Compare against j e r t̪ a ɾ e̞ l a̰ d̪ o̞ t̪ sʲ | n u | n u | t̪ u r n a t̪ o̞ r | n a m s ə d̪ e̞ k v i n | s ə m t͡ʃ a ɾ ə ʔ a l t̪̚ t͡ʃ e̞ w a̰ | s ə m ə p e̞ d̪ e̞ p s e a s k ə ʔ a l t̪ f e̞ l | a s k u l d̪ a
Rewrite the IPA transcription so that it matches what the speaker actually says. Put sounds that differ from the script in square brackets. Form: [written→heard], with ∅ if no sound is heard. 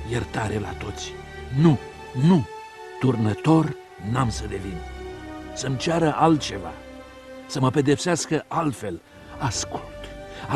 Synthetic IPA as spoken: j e r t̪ a ɾ e̞ l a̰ [d̪→t̪] o̞ t̪ sʲ | n u | n u | t̪ u r n [a→ə] t̪ o̞ r | n a m s ə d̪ e̞ [k→∅] v i n | s ə m t͡ʃ a ɾ ə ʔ a l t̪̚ t͡ʃ e̞ [w→v] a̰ | s ə m ə p e̞ d̪ e̞ p s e a s k ə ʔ a l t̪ f e̞ l | a s k u l [d̪→t̪] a